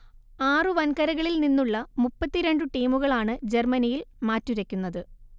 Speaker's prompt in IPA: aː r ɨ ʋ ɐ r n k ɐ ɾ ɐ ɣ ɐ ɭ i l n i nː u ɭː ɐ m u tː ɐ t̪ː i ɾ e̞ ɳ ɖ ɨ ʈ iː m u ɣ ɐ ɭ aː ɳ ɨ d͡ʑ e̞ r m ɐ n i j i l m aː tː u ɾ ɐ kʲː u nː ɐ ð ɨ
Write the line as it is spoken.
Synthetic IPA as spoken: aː r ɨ ʋ ɐ n k ɐ ɾ ɐ ɣ ɐ ɭ i l n i nː u ɭː ɐ m u pː ɐ t̪ː i ɾ e̞ ɳ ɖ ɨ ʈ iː m u ɣ ɐ ɭ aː ɳ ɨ d͡ʑ e̞ r m ɐ n i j i l m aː tː u ɾ ɐ kʲː u nː ɐ ð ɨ